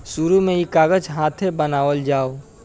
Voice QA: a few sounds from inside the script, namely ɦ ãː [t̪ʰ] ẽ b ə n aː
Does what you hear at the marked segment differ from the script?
no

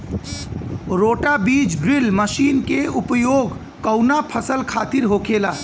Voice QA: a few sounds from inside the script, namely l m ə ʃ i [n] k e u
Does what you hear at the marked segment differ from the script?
no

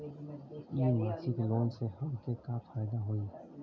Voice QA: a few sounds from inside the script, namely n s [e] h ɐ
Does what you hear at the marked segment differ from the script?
no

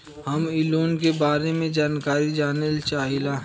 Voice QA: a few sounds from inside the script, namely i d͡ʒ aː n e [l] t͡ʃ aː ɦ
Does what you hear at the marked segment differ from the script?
no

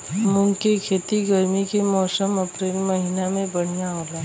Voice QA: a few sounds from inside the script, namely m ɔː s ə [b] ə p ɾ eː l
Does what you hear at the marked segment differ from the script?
yes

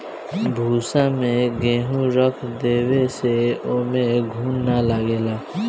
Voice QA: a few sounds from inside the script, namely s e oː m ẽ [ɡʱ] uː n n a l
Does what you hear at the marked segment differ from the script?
no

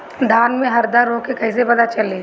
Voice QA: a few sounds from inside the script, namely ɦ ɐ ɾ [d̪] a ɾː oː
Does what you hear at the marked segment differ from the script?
no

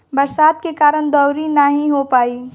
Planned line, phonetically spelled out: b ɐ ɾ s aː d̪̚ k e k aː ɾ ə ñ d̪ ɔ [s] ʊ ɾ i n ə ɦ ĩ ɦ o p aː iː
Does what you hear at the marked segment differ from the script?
yes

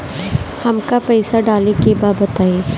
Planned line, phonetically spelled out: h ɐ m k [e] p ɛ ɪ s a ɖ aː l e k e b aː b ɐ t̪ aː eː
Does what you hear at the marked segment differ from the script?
yes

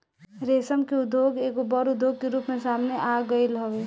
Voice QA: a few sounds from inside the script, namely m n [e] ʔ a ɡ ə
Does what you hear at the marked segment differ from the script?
no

